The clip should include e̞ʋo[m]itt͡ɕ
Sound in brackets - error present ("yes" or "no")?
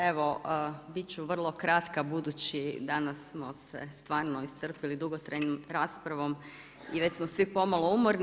yes